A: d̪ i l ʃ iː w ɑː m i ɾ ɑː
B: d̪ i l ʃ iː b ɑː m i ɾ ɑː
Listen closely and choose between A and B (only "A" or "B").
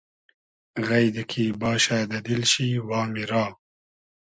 A